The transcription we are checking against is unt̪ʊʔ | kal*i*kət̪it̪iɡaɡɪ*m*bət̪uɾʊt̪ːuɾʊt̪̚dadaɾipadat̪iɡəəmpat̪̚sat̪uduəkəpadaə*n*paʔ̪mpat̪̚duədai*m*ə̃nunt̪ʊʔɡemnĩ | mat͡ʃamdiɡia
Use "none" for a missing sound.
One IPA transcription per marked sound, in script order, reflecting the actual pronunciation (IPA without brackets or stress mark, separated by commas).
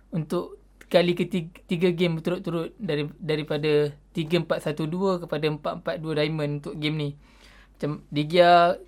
i, m, m, m